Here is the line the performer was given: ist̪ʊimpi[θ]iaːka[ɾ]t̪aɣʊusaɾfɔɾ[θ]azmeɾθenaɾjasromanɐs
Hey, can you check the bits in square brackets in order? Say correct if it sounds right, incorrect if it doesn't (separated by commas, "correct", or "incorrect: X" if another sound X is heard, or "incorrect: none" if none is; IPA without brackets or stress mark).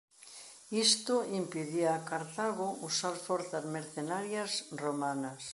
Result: incorrect: ð, correct, correct